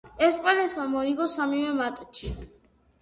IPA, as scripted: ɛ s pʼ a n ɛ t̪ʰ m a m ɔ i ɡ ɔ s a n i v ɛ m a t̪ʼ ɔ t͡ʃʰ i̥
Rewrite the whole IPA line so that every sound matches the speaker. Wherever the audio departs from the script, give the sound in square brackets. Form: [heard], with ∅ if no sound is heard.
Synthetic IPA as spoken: ɛ s pʼ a n ɛ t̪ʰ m a m ɔ i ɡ ɔ s a [m] i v ɛ m a t̪ʼ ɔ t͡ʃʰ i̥

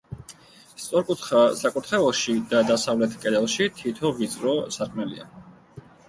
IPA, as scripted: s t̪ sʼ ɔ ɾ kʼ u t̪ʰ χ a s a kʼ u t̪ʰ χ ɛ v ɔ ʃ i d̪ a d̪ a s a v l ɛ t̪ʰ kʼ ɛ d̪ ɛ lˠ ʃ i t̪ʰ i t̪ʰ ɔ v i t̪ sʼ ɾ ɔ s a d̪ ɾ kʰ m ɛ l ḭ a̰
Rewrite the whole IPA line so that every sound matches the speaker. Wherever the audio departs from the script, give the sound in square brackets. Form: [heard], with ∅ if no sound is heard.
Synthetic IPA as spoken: s t̪ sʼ ɔ ɾ kʼ u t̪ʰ χ a s a kʼ u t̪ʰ χ ɛ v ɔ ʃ i d̪ a d̪ a s a v l ɛ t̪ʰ kʼ ɛ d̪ ɛ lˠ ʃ i t̪ʰ i t̪ʰ ɔ v i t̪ sʼ ɾ ɔ s a [∅] ɾ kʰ m ɛ l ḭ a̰

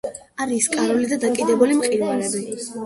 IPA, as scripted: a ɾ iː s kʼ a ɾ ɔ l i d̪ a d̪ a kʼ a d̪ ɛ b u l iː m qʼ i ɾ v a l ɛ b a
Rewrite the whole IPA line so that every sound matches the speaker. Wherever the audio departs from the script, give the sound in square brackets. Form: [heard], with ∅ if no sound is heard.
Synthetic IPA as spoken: a ɾ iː s kʼ a ɾ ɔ l i d̪ a d̪ a kʼ [i] d̪ ɛ b u l [i] m qʼ i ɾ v a l ɛ b [i]

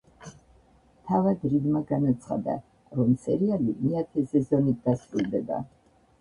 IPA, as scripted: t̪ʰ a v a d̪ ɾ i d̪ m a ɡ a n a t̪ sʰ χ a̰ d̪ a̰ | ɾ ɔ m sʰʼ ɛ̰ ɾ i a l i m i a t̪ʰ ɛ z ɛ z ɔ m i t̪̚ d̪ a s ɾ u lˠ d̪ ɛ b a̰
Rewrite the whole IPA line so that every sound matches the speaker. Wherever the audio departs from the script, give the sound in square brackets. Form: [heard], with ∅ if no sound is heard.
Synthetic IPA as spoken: t̪ʰ a v a d̪ ɾ i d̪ m a ɡ a n a t̪ sʰ χ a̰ d̪ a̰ | ɾ ɔ m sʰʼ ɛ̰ ɾ i a l i m i a t̪ʰ ɛ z ɛ z ɔ [n] i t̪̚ d̪ a s ɾ u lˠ d̪ ɛ b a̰

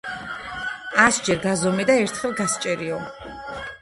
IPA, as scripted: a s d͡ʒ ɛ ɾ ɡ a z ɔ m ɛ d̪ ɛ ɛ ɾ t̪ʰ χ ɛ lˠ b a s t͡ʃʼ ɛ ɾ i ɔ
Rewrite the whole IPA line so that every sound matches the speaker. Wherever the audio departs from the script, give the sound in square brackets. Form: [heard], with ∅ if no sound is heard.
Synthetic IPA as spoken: a s d͡ʒ ɛ ɾ ɡ a z ɔ m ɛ d̪ [a] ɛ ɾ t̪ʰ χ ɛ lˠ [ɡ] a s t͡ʃʼ ɛ ɾ i ɔ

